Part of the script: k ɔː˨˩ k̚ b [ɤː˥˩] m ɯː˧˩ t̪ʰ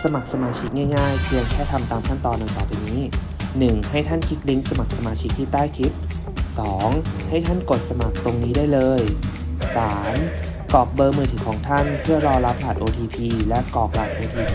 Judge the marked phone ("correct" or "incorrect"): incorrect